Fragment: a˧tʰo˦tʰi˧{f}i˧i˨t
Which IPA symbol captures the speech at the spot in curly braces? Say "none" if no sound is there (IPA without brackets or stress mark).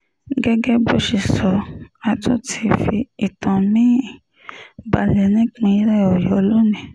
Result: f